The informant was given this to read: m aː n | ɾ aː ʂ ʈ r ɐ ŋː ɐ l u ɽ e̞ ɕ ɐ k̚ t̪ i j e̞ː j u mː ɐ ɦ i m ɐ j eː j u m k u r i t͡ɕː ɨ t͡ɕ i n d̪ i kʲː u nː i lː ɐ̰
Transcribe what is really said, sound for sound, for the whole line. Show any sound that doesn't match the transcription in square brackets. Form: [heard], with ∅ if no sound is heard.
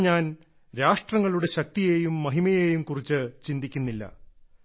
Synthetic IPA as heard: [ɲ] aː n | ɾ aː ʂ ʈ r ɐ ŋː ɐ [ɭ] u ɽ e̞ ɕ ɐ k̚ t̪ i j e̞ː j u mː ɐ ɦ i m ɐ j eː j u m k u r i t͡ɕː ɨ t͡ɕ i n d̪ i kʲː u nː i lː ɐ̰